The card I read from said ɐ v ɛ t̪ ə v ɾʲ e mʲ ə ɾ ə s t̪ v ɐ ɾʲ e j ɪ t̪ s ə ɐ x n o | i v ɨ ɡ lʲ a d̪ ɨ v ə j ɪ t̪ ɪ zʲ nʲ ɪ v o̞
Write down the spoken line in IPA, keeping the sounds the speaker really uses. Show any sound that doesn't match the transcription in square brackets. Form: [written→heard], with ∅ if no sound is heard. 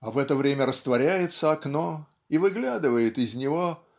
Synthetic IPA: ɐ v ɛ t̪ ə v ɾʲ e mʲ ə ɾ ə s t̪ v ɐ ɾʲ [e→æ] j ɪ t̪ s ə ɐ [x→k] n o | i v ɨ ɡ lʲ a d̪ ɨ v ə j ɪ t̪ ɪ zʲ nʲ ɪ v o̞